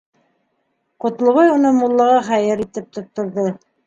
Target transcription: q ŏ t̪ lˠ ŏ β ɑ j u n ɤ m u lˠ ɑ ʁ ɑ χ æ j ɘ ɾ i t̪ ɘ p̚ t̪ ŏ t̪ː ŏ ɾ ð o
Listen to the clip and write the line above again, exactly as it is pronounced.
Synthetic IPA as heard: q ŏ t̪ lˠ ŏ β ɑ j u n ɤ m u lˠː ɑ ʁ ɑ χ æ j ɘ ɾ i t̪ ɘ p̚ t̪ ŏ t̪ː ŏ ɾ ð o

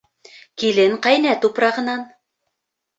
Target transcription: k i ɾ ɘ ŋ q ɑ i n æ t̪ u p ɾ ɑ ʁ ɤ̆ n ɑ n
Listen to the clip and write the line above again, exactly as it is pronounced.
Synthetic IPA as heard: k i l ɘ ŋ q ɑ j n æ t̪ u p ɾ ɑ ʁ ɤ̆ n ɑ n

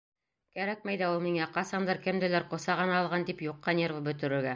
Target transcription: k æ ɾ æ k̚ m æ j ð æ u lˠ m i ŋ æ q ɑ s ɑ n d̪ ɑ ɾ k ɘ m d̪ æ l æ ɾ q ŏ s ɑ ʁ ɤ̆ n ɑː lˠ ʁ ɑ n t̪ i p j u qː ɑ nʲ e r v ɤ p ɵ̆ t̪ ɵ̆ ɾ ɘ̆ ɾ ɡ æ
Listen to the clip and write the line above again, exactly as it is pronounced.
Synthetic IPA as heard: k æ ɾ æ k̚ m æ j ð æ u lˠ m i ŋ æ q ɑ s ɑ n d̪ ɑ ɾ k ɘ m d̪ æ l æ ɾ q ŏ s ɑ ʁ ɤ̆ n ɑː lˠ ʁ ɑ n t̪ i p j u qː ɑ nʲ e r v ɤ b ɵ̆ t̪ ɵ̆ ɾ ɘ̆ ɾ ɡ æ

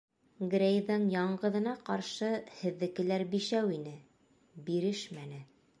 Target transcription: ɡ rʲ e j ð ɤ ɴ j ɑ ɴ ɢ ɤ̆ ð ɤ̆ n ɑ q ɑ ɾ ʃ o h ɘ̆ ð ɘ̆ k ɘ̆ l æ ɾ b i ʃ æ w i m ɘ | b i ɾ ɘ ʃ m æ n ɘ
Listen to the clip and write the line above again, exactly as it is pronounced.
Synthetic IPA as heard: ɡ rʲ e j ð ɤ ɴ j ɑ ɴ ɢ ɤ̆ ð ɤ̆ n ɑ q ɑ ɾ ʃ ɤ h ɘ̆ ðː ɘ̆ k ɘ̆ l æ ɾ b i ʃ æ w i n ɘ | b i ɾ ɘ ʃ m æ n ɘ

